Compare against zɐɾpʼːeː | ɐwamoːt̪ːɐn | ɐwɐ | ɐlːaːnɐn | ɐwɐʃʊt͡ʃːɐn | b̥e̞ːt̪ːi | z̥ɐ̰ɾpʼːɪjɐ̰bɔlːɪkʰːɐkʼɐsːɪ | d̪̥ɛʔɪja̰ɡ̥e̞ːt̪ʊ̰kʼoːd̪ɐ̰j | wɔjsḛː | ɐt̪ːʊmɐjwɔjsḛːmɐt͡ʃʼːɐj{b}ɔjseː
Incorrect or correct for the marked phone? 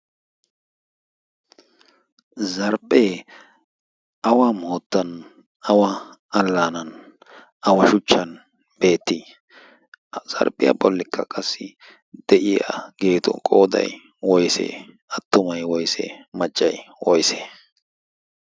incorrect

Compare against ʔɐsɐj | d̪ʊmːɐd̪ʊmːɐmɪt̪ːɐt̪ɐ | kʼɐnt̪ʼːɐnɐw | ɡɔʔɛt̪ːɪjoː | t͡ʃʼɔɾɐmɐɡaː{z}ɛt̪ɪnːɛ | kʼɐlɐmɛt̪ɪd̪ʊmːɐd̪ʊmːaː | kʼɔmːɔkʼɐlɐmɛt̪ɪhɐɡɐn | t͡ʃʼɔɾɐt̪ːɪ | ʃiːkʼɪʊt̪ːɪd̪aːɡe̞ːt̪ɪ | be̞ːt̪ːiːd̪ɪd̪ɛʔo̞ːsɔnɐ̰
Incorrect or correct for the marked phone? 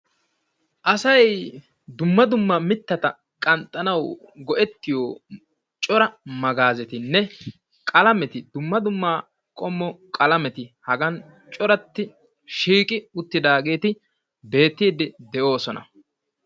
correct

